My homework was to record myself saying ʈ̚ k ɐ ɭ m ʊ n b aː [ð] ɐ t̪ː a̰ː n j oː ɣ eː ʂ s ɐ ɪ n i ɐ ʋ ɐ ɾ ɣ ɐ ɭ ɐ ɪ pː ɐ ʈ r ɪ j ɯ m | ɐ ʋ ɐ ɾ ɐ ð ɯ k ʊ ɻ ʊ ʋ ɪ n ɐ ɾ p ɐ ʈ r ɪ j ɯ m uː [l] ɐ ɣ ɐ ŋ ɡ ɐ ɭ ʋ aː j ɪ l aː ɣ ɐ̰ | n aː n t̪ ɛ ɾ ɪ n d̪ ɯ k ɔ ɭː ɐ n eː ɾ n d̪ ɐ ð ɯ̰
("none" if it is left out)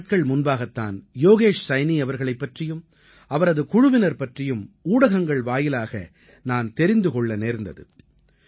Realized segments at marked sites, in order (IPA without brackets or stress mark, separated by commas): ɣ, ɽ